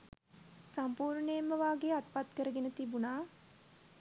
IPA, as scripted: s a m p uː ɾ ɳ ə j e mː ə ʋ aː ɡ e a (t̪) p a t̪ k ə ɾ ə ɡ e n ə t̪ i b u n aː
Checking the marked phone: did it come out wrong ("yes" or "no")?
no